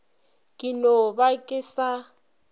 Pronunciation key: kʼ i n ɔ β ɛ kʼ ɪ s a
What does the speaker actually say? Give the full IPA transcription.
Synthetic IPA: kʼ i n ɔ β a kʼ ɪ s a